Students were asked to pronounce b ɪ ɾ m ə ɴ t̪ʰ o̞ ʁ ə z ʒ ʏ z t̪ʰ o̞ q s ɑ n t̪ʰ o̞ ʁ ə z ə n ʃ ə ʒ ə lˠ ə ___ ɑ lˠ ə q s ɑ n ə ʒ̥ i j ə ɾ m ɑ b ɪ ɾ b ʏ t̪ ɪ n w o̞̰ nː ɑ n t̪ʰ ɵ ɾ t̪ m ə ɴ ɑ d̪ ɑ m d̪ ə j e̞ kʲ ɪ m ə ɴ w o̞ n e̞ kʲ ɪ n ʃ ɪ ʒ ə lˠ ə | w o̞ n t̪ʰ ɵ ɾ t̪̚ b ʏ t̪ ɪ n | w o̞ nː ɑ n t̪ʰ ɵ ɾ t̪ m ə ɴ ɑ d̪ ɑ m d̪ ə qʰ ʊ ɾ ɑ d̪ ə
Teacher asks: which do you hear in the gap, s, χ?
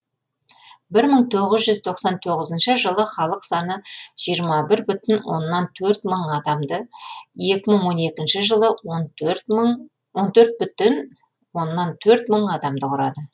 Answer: χ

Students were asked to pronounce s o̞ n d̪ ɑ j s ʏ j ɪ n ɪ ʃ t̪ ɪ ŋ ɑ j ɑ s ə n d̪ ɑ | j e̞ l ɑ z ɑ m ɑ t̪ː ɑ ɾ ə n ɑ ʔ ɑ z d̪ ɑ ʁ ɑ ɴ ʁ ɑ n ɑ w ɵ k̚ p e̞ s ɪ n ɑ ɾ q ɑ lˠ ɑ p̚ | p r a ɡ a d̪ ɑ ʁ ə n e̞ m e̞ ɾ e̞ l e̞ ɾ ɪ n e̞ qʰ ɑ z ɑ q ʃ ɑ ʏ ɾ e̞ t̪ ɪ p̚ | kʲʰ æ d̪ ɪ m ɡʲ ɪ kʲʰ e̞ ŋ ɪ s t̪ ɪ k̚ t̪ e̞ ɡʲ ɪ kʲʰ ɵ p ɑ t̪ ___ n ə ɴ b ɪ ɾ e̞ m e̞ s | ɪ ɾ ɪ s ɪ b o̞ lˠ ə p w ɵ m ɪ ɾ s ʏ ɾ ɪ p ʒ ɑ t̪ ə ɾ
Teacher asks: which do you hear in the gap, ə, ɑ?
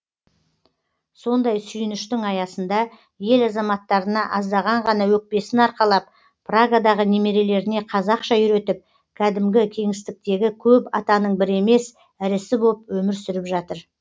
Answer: ɑ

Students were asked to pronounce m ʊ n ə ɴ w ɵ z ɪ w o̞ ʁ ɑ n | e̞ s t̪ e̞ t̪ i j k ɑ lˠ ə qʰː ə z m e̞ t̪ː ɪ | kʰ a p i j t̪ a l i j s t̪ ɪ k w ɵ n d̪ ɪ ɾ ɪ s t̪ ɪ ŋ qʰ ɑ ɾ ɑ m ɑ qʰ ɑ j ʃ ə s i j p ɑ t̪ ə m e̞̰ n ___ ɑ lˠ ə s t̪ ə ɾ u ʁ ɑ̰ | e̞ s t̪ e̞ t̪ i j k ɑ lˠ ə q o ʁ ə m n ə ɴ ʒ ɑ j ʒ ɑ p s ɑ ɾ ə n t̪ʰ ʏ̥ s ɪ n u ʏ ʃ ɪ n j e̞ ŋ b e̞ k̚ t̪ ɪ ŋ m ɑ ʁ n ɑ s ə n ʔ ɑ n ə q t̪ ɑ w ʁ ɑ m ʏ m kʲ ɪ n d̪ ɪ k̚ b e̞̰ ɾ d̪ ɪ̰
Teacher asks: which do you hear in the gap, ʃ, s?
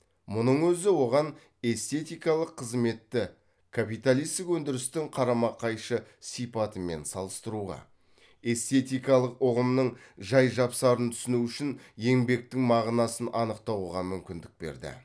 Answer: s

